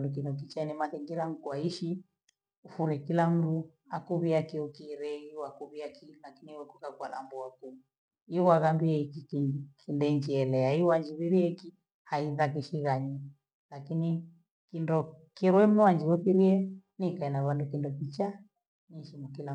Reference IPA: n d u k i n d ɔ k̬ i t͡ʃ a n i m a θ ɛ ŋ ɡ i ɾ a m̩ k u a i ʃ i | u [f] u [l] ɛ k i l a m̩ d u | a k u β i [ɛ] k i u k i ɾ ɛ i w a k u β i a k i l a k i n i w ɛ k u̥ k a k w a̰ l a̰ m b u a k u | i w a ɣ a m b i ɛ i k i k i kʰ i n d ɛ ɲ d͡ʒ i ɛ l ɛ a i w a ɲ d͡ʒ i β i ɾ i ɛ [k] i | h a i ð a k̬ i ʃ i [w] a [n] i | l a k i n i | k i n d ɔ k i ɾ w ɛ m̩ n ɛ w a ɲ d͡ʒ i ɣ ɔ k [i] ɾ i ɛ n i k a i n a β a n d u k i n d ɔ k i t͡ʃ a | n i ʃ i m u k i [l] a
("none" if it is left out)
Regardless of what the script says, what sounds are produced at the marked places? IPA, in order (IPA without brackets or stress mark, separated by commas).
f, ɾ, a, k, ɣ, ɲ, i, l